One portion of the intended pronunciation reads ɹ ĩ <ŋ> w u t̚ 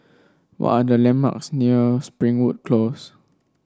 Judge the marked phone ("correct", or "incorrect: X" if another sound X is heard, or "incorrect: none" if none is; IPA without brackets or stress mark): correct